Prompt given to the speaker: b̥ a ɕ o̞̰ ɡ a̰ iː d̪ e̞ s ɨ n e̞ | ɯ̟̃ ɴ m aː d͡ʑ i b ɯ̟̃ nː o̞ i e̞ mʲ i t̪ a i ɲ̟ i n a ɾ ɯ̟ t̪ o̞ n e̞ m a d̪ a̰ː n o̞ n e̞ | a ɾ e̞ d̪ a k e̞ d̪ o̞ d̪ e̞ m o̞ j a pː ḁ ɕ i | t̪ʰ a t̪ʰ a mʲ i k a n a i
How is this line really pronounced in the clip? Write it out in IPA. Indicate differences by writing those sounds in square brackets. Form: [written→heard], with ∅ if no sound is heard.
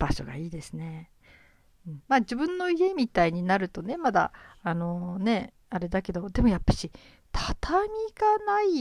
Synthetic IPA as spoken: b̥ a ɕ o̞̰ ɡ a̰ iː d̪ e̞ s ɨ n e̞ | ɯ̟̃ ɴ m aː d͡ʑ i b ɯ̟̃ nː o̞ i e̞ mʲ i t̪ a i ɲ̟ i n a ɾ ɯ̟ t̪ o̞ n e̞ m a d̪ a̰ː n o̞ n e̞ | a ɾ e̞ d̪ a k e̞ d̪ o̞ d̪ e̞ m o̞ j a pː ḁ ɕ i | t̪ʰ a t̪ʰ a mʲ i [k→ɡ] a n a i